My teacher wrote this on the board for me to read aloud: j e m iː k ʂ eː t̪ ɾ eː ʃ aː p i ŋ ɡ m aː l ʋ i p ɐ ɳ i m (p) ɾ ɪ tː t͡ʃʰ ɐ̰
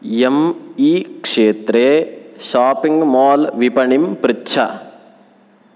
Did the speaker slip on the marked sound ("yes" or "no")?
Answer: no